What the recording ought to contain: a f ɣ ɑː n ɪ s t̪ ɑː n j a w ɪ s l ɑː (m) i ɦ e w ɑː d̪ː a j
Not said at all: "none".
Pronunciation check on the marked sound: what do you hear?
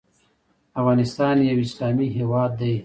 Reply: m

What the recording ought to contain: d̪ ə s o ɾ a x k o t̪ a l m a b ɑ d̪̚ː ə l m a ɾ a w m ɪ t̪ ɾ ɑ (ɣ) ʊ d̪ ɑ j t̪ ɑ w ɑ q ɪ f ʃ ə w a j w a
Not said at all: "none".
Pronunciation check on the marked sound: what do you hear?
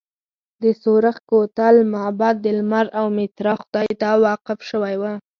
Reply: x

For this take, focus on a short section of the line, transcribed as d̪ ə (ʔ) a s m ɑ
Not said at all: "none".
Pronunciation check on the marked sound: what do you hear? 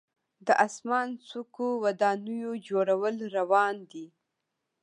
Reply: ʔ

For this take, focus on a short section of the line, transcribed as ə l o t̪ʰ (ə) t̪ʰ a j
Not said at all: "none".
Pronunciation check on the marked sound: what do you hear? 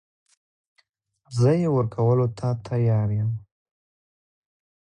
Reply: a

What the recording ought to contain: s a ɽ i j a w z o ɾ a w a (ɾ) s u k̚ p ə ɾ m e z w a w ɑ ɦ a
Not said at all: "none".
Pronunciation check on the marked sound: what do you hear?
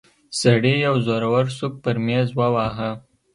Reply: ɾ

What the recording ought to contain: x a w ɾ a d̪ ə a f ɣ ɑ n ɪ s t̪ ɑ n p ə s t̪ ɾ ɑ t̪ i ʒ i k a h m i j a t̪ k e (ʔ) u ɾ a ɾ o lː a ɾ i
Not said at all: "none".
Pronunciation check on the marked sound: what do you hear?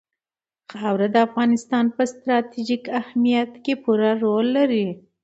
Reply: p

